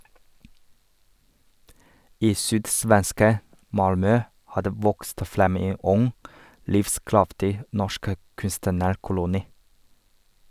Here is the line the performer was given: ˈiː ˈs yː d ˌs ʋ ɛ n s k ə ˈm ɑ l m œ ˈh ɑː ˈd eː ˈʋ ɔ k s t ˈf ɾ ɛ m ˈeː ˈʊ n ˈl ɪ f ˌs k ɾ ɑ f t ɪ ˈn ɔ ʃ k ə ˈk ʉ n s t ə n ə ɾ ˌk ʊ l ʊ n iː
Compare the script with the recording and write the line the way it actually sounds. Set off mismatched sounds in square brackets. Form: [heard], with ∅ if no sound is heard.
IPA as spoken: ˈiː ˈs yː d ˌs ʋ ɛ n s k ə ˈm ɑ l m œ ˈh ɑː ˈd eː ˈʋ ɔ k s t ˈf ɾ ɛ m ˈeː ˈʊ [ŋ] ˈl ɪ f ˌs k ɾ ɑ f t ɪ ˈn ɔ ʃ k ə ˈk ʉ n s t ə n ə ɾ ˌk ʊ l ʊ n iː